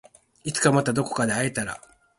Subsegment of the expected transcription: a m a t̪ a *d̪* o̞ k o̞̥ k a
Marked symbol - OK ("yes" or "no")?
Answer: yes